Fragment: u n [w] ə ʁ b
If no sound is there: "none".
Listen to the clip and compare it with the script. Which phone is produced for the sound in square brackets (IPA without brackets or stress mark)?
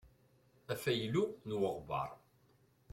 w